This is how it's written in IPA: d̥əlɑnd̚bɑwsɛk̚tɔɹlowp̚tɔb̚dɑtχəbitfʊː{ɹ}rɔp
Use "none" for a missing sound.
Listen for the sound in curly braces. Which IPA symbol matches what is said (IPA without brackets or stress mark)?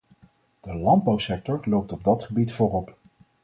none